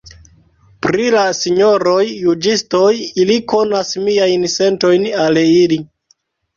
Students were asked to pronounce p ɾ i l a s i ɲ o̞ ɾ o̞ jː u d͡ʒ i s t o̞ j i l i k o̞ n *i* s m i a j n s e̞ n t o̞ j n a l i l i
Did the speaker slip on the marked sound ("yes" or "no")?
yes